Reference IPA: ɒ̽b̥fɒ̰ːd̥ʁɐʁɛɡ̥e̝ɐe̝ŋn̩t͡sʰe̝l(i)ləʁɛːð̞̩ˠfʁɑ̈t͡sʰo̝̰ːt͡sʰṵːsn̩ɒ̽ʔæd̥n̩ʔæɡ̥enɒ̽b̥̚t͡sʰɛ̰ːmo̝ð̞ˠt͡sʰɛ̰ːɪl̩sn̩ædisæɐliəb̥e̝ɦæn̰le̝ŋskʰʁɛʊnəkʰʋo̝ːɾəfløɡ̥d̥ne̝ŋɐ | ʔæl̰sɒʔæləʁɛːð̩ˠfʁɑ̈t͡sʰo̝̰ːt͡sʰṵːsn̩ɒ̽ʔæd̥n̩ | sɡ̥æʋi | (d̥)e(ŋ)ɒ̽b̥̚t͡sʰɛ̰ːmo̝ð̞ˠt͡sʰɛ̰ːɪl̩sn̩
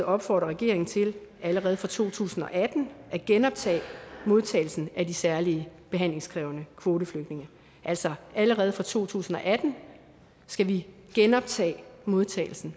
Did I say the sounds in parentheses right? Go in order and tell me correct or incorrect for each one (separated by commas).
incorrect, incorrect, incorrect